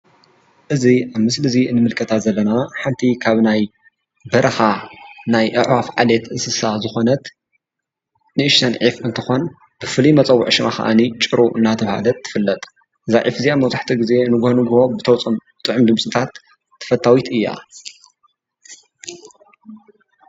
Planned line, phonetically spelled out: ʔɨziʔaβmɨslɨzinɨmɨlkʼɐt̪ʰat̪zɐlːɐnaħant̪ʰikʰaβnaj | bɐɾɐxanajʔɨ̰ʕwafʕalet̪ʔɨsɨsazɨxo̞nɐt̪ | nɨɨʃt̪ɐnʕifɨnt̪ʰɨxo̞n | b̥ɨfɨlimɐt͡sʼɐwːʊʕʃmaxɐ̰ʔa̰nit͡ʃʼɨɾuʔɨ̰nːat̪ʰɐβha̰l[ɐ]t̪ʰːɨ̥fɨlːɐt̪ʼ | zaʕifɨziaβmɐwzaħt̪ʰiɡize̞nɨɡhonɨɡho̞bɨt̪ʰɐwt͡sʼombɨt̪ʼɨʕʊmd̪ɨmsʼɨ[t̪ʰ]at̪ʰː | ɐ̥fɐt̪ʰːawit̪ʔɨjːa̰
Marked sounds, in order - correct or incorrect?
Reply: correct, correct

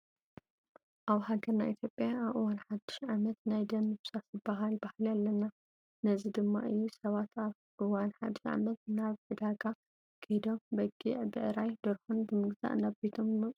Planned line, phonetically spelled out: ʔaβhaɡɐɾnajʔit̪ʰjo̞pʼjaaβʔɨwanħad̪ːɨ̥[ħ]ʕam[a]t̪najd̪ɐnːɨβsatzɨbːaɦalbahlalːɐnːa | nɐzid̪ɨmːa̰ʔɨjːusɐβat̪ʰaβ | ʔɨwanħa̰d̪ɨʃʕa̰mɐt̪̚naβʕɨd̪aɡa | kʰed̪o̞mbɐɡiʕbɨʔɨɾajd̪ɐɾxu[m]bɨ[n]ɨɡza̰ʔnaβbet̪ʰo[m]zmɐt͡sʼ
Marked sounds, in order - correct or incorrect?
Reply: incorrect, incorrect, incorrect, incorrect, correct

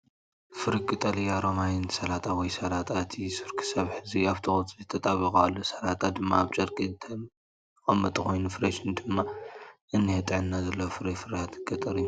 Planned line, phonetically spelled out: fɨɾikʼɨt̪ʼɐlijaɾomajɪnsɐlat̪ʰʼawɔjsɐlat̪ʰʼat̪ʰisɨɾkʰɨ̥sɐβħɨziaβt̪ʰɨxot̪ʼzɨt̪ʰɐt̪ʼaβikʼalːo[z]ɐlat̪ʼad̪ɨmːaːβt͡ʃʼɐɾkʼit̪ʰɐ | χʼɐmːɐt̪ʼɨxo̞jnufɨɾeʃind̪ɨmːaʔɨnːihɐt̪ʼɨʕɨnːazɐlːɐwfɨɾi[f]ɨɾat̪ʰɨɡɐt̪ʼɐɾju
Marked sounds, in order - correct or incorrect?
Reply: incorrect, correct

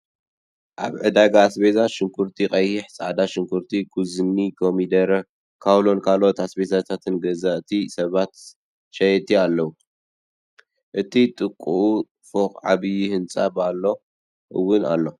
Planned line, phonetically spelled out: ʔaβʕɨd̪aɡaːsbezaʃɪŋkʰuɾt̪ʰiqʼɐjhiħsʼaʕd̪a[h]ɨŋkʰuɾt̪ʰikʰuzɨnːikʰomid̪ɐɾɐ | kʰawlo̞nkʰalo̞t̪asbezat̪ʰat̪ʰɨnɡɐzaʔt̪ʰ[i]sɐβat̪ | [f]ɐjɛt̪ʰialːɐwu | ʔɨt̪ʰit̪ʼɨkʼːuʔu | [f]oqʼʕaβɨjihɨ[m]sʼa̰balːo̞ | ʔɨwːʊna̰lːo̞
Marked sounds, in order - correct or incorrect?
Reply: incorrect, correct, incorrect, correct, incorrect

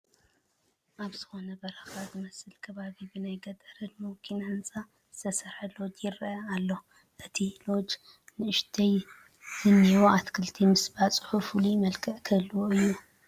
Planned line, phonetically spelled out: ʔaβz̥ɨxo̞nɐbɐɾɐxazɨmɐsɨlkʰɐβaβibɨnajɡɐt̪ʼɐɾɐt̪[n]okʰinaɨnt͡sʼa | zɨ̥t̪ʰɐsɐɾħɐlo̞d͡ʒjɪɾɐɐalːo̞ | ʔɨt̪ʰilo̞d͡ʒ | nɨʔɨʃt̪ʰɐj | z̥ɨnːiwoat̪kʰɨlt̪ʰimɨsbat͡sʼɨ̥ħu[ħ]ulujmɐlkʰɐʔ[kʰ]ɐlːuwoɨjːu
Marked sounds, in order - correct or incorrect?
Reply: incorrect, incorrect, correct

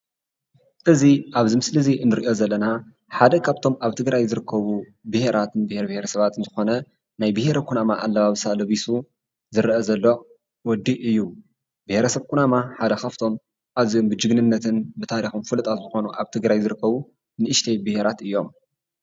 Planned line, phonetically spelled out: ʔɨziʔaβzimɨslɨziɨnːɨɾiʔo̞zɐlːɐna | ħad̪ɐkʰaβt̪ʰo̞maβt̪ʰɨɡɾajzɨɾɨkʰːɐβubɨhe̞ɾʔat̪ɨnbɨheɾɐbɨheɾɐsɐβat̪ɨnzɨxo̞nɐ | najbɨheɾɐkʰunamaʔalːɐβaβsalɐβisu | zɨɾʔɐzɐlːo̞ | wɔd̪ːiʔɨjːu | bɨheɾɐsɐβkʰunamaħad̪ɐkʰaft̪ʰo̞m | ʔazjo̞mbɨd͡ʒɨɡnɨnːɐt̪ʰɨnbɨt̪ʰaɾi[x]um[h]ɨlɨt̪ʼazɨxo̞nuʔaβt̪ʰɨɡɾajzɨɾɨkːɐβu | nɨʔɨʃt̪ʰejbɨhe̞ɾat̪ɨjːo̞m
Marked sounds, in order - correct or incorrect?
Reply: correct, incorrect

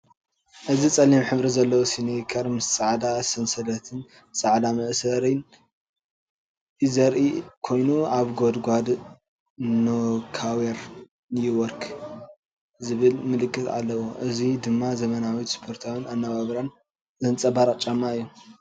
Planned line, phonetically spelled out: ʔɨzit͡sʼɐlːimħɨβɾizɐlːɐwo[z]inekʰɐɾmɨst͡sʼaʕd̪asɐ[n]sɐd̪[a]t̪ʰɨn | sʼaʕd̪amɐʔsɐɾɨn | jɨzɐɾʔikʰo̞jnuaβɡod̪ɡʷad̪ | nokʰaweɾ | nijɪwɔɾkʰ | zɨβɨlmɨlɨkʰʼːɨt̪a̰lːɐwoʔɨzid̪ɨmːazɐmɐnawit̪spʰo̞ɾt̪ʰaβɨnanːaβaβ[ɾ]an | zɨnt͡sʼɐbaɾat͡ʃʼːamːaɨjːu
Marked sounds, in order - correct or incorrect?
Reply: incorrect, correct, incorrect, correct

